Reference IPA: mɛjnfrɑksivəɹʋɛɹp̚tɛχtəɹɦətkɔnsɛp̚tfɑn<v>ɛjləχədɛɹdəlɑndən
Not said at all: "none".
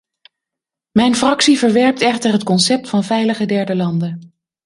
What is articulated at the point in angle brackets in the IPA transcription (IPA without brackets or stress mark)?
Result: v